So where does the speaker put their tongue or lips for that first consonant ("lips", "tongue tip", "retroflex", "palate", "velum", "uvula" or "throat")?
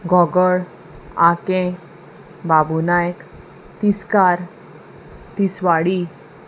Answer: velum